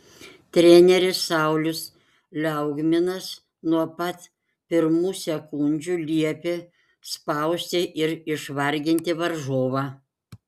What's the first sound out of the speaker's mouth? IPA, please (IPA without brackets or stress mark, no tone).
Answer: t̪ʲ